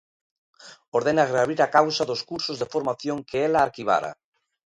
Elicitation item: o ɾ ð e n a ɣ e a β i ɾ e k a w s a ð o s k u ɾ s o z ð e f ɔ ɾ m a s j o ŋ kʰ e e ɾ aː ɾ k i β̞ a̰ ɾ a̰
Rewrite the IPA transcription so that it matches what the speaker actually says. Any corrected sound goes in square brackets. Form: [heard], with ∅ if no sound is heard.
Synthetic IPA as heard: o ɾ ð e n a ɣ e a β i ɾ [a] k a w s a ð o s k u ɾ s o z ð e f [o] ɾ m a [θ] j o ŋ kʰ e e [l] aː ɾ k i β̞ a̰ ɾ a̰